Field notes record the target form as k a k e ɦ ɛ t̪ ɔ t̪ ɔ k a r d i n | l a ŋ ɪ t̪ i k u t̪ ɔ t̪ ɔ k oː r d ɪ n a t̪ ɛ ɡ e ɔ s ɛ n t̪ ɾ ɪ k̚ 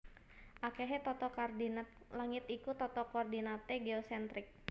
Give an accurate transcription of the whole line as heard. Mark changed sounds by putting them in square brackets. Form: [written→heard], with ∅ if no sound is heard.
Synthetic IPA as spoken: [k→ʔ] a k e ɦ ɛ t̪ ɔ t̪ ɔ k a r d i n | l a ŋ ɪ t̪ i k u t̪ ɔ t̪ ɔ k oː r d [ɪ→i] n a t̪ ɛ ɡ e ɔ s ɛ n t̪ ɾ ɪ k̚